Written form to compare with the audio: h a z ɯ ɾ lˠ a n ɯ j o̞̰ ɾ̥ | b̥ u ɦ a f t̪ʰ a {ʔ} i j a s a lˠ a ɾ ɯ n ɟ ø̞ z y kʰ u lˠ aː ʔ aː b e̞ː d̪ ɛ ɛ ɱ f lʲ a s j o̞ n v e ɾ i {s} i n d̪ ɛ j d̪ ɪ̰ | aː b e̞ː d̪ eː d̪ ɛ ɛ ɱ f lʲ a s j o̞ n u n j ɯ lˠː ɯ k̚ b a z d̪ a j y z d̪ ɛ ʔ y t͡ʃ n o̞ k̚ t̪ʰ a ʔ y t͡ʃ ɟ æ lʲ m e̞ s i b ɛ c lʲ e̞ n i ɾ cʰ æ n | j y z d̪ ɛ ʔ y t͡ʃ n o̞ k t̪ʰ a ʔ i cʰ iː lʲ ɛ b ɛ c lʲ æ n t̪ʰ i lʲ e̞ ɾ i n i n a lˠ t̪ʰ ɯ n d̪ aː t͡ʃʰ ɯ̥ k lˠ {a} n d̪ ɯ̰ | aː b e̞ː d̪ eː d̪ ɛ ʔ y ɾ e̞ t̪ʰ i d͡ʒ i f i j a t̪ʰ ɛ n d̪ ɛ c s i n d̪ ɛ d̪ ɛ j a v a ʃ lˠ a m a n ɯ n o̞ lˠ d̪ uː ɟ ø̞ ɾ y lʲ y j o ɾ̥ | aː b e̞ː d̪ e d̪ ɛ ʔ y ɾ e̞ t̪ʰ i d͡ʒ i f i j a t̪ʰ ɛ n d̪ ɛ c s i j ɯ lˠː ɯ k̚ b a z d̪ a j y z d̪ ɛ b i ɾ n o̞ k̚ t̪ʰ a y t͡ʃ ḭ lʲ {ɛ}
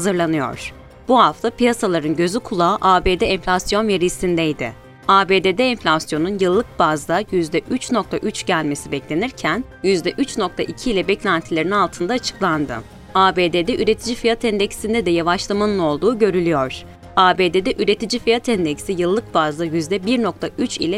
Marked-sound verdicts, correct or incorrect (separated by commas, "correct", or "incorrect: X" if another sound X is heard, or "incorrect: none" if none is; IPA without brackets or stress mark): incorrect: p, correct, correct, correct